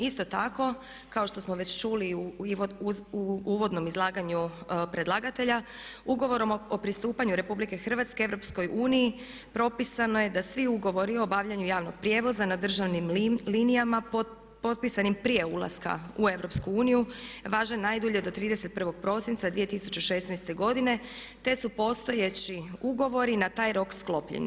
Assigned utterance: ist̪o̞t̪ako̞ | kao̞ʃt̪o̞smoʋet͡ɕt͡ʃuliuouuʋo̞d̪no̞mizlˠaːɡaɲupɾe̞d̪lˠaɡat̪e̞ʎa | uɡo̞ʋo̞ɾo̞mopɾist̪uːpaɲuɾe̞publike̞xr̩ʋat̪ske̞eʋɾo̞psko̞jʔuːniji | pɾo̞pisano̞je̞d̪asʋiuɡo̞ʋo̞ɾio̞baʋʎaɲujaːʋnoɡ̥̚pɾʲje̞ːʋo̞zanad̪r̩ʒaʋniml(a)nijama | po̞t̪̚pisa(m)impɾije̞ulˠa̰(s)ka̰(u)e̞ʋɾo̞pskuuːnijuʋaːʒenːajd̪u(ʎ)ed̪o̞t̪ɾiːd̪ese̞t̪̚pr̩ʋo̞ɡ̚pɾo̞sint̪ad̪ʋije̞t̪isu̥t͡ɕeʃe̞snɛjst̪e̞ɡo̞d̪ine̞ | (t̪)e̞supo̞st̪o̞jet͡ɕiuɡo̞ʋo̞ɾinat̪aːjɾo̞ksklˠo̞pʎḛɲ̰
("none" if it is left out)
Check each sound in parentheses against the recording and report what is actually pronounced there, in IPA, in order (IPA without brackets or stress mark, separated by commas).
i, n, s, u, ʎ, t̪